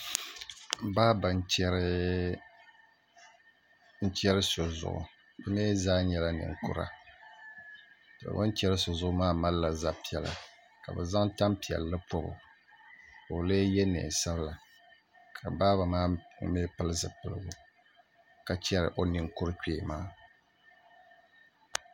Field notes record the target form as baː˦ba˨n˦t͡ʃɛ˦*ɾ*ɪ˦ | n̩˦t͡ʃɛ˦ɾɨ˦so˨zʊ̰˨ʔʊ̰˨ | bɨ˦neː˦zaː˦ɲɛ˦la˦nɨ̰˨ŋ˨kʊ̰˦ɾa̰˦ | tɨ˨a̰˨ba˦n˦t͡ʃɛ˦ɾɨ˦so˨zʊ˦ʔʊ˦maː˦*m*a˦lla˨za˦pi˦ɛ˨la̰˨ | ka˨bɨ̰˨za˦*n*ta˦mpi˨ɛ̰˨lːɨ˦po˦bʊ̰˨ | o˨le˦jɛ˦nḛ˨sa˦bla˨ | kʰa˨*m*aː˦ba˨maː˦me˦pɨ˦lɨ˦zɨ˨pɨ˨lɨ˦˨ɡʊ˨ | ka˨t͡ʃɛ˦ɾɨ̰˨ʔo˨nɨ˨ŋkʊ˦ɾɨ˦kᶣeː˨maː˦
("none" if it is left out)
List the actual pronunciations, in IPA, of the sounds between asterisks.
ɾ, m, ŋ, b

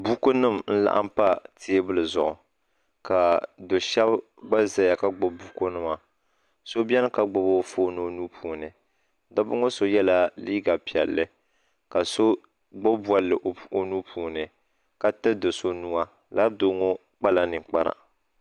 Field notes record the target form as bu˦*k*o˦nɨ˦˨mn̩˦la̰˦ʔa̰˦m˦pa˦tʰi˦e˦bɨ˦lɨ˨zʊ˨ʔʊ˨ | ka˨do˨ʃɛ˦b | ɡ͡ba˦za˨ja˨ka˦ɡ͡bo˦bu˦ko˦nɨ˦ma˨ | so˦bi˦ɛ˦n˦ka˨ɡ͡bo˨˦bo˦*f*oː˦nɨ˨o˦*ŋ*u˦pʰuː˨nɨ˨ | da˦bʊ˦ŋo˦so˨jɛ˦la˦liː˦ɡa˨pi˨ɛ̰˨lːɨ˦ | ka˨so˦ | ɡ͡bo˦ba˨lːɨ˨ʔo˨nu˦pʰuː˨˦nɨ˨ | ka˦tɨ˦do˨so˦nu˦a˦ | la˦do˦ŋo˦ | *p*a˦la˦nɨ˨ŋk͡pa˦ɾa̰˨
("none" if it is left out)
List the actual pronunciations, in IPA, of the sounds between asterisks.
k, f, n, k͡p

